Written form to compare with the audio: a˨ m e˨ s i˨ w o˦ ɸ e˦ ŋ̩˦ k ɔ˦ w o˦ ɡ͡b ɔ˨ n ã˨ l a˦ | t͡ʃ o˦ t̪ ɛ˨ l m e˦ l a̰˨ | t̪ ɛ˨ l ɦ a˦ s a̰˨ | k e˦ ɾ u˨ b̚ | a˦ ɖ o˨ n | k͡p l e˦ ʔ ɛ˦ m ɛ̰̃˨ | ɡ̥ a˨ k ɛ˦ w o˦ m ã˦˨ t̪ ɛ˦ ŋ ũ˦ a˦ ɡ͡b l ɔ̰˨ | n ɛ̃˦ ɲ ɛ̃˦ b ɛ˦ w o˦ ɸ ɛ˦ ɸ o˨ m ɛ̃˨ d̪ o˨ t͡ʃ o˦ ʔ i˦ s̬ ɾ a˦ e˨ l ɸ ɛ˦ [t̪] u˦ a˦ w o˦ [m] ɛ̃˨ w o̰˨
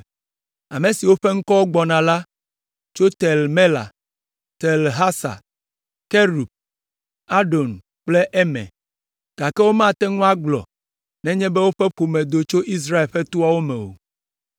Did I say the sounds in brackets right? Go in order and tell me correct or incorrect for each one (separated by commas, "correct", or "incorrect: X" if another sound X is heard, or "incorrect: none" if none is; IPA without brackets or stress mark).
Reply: correct, correct